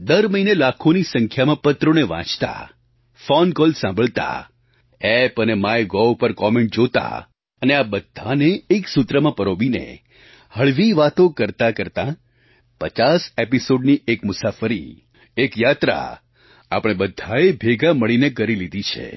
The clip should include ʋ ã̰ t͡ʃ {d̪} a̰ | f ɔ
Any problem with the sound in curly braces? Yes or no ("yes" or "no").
yes